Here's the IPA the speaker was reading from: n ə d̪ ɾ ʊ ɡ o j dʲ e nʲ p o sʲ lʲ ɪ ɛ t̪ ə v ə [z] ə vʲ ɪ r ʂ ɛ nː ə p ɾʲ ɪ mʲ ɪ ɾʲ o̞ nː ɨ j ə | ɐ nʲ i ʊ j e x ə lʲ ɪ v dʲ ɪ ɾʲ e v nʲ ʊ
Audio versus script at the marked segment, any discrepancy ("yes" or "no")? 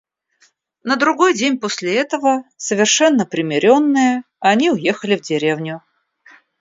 yes